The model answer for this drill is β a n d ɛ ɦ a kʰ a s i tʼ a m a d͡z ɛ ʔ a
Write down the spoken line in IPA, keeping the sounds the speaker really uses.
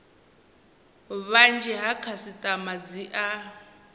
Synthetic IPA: β a n d͡ʒ ɛ ɦ a kʰ a s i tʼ a m a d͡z i ʔ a